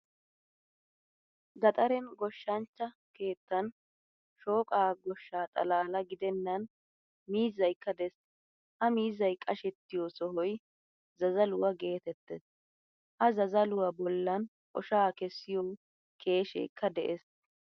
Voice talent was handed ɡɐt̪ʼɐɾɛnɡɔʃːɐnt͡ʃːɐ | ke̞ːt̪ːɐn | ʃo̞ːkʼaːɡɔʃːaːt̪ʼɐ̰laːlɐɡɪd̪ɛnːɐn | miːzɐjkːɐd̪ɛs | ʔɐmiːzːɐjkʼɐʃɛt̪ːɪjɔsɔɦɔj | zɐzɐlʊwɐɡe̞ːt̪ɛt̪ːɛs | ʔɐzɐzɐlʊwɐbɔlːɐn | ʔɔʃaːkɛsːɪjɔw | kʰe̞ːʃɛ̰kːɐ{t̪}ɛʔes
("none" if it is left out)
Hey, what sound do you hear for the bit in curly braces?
d̪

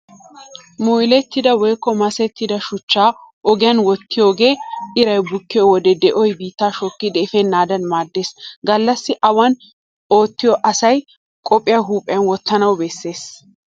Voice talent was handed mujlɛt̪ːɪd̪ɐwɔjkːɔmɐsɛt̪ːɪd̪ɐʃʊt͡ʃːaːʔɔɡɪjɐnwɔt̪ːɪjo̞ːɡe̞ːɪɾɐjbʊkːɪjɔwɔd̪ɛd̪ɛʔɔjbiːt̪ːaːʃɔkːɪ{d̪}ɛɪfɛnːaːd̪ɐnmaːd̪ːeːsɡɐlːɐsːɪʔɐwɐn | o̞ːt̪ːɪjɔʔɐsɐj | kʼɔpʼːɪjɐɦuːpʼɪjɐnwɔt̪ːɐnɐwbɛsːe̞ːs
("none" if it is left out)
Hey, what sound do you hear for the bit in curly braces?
d̪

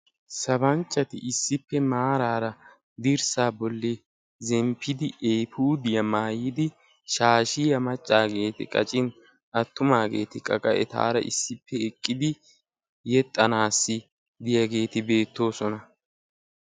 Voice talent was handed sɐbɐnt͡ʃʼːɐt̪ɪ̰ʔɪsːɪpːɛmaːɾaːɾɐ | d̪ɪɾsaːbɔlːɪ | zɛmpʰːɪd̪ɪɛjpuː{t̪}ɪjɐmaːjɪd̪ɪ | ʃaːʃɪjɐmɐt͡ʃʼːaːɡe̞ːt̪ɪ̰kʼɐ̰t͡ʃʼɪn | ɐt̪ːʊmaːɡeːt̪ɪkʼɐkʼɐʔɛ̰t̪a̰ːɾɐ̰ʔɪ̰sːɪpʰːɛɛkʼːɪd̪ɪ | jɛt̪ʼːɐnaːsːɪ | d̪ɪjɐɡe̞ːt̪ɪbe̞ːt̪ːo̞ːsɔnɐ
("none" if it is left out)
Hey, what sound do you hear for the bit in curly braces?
d̪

